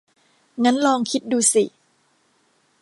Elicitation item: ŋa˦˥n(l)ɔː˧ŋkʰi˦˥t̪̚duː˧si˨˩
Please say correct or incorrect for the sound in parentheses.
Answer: correct